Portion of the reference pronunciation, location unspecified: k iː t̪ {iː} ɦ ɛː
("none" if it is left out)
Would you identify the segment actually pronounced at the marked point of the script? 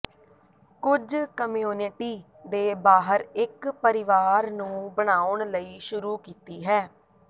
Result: iː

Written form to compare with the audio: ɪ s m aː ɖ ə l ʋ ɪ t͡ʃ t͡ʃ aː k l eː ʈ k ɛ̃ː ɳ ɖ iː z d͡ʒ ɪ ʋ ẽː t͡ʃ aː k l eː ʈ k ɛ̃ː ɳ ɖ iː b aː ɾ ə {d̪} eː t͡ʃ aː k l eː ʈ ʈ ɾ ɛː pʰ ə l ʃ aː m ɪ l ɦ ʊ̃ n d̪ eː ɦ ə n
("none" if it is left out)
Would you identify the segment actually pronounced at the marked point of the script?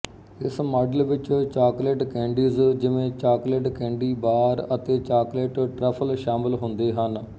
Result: t̪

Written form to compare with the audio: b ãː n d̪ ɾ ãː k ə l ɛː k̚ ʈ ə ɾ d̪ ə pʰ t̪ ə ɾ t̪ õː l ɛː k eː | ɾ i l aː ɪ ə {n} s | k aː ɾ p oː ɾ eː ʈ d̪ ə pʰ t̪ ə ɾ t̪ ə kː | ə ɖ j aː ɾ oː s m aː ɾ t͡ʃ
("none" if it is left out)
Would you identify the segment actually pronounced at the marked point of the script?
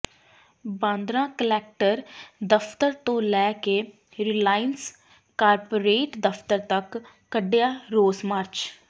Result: n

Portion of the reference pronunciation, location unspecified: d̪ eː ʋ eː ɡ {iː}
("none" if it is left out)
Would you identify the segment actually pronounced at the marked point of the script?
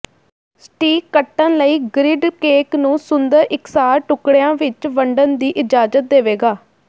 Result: aː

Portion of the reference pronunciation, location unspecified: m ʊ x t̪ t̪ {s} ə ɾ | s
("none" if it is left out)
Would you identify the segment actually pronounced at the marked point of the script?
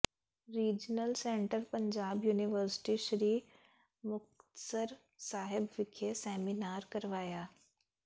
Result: s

